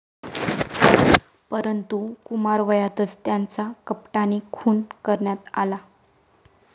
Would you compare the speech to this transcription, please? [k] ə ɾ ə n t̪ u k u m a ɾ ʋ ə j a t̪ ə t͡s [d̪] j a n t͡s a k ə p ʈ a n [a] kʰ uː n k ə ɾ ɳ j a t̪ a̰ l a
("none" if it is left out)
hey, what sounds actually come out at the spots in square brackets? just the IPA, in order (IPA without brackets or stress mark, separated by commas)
p, t̪, i